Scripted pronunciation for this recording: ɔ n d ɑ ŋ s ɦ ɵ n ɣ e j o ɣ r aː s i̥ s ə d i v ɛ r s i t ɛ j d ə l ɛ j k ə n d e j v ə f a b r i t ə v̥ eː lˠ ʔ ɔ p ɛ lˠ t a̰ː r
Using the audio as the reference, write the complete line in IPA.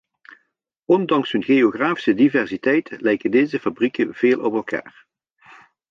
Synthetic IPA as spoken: ɔ n d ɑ ŋ s ɦ ɵ n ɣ e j o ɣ r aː f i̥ s ə d i v ɛ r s i t ɛ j t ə l ɛ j k ə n d e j z ə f a b r i k ə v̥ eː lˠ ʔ ɔ p ɛ lˠ k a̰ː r